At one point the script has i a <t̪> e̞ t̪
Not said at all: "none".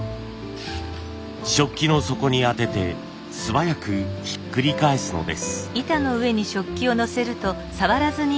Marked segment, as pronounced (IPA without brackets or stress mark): t̪